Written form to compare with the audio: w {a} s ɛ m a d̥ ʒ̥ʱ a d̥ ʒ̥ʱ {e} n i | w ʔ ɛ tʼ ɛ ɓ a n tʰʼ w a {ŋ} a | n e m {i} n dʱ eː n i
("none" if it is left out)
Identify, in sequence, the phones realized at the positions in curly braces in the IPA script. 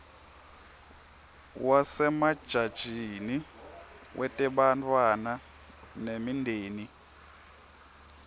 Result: a, i, n, i

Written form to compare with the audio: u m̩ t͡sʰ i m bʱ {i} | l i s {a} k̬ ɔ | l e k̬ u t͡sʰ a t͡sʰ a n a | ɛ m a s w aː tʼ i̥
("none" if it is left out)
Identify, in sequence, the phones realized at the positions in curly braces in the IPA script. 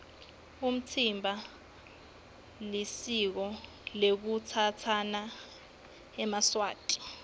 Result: a, i

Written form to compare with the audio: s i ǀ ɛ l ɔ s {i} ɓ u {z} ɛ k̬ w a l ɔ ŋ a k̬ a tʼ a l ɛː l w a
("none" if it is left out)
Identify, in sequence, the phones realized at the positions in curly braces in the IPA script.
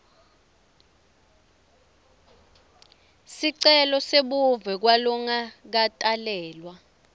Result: e, v

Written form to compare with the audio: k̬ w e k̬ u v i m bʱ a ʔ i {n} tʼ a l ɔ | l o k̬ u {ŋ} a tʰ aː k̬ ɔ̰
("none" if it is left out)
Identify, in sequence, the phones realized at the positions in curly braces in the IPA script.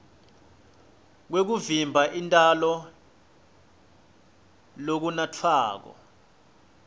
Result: n, n

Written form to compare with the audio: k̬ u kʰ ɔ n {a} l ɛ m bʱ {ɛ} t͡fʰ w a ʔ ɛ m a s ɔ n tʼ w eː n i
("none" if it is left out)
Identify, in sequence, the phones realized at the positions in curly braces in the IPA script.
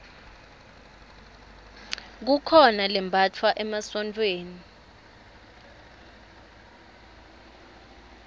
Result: a, a

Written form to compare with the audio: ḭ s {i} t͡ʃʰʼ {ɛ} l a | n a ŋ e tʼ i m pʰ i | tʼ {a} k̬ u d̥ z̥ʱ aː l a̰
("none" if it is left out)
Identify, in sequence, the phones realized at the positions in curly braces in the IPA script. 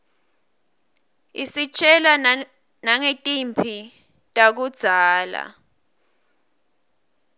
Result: i, ɛ, a

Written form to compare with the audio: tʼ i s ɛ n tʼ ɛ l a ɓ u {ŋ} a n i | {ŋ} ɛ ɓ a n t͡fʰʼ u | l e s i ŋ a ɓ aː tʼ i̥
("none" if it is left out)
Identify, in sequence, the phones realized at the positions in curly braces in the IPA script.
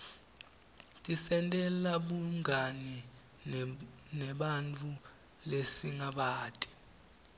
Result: ŋ, n

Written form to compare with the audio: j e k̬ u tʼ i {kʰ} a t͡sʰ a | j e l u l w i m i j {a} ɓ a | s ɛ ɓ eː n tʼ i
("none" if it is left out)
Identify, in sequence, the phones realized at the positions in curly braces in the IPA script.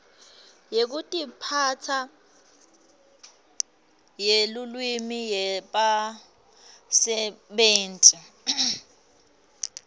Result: pʰ, ɛ

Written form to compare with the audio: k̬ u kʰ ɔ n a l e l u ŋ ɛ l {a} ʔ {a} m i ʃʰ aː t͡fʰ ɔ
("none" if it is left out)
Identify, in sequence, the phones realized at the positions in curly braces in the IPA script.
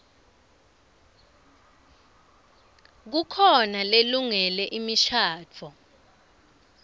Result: ɛ, i

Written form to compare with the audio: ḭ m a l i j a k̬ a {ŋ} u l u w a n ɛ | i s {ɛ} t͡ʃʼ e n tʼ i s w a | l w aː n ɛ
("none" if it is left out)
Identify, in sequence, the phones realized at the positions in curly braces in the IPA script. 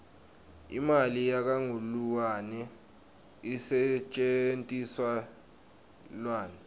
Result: ŋ, ɛ

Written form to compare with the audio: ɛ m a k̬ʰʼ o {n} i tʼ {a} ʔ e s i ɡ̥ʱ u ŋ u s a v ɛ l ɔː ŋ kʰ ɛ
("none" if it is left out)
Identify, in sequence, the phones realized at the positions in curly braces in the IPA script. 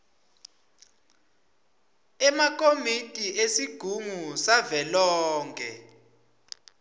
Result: m, i

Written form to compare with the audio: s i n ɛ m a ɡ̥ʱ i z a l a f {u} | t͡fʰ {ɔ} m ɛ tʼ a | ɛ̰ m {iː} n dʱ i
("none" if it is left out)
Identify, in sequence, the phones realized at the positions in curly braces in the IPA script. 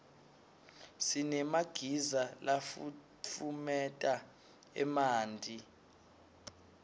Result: u, u, aː

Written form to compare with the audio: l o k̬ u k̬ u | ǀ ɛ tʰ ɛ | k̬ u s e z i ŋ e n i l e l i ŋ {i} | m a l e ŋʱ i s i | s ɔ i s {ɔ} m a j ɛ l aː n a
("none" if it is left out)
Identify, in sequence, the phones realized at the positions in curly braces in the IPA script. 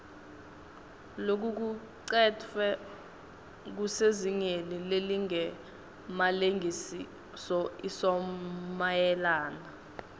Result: ɛ, ɔ

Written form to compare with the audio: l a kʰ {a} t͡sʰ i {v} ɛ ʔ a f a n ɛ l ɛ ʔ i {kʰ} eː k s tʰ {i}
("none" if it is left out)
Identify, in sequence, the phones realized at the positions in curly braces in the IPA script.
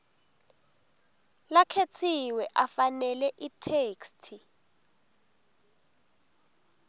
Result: e, w, tʰ, i

